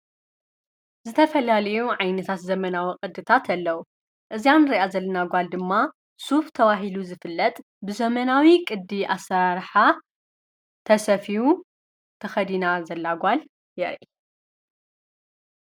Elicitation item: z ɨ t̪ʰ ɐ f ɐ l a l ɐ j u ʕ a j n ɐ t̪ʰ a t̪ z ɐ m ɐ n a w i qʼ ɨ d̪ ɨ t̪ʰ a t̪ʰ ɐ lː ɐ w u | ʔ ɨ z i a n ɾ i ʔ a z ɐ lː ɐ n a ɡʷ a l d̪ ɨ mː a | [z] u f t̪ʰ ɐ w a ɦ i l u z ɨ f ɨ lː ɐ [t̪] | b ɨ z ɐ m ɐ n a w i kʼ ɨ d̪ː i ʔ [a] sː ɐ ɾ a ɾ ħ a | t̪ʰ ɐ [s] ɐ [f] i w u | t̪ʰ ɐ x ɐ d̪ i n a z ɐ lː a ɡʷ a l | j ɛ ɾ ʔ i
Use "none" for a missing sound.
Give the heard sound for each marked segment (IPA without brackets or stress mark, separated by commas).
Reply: s, t̪ʼ, a, s, f